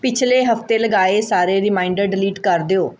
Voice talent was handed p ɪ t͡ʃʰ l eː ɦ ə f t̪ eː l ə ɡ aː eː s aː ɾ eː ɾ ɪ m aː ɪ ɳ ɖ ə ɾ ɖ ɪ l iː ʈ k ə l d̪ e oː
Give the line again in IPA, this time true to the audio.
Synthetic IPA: p ɪ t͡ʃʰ l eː ɦ ə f t̪ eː l ə ɡ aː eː s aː ɾ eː ɾ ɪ m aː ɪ ɳ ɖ ə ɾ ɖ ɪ l iː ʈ k ə ɾ d̪ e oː